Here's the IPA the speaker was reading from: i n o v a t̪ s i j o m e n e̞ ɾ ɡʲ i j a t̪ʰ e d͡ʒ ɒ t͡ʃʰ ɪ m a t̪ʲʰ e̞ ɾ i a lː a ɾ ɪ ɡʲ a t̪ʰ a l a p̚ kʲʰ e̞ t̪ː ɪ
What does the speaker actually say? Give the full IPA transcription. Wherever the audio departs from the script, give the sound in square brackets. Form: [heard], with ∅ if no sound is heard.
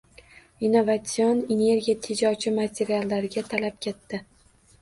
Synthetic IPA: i n o v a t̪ s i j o [n] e n e̞ ɾ ɡʲ i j a t̪ʰ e d͡ʒ ɒ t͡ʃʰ ɪ m a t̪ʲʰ e̞ ɾ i a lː a ɾ ɪ ɡʲ a t̪ʰ a l a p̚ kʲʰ e̞ t̪ː ɪ